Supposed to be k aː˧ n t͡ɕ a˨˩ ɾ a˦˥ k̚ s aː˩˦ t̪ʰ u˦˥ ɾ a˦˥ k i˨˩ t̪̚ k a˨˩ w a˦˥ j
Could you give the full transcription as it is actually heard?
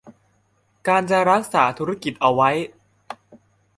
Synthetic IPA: k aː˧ n t͡ɕ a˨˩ ɾ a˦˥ k̚ s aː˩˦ t̪ʰ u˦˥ ɾ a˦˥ k i˨˩ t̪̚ ʔ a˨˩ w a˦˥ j